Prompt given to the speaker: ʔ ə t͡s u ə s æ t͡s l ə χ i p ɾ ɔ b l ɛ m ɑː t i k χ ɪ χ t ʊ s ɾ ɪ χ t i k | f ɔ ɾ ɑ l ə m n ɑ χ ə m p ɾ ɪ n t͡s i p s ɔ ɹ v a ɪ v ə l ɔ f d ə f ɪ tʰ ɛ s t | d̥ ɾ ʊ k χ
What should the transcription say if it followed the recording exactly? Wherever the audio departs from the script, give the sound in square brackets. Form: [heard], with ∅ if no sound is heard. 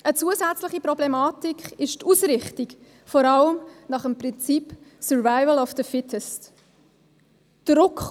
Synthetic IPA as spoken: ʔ ə t͡s u ə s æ t͡s l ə χ i p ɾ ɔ b l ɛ m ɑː t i k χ ɪ [ʃ] t [u] s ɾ ɪ χ t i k | f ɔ ɾ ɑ l ə m n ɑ χ ə m p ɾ ɪ n t͡s i p s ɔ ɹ v a ɪ v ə l ɔ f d ə f ɪ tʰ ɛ s t | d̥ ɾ ʊ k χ